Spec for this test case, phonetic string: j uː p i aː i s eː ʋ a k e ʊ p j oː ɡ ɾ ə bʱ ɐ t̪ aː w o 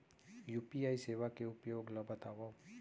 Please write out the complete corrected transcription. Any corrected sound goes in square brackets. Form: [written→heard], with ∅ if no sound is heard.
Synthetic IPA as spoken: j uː p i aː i s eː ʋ a k e ʊ p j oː ɡ [ɾ→l] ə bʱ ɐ t̪ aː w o